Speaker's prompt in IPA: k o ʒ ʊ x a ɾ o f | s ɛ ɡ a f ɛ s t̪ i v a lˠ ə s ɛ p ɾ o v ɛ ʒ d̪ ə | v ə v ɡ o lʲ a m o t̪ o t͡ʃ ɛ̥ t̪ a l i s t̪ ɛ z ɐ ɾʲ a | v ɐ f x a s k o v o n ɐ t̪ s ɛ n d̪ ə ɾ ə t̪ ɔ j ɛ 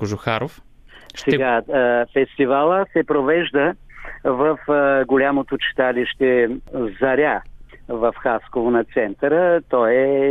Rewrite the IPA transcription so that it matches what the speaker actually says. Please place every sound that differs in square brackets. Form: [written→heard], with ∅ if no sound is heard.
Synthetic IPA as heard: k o ʒ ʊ x a ɾ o f | s ɛ ɡ a f ɛ s t̪ i v a lˠ ə s ɛ p ɾ o v ɛ ʒ d̪ ə | v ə [v→f] ɡ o lʲ a m o t̪ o t͡ʃ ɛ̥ t̪ a l i [s→ʃ] t̪ ɛ z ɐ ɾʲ a | v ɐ f x a s k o v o n ɐ t̪ s ɛ n [d̪→t̪] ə ɾ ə t̪ ɔ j ɛ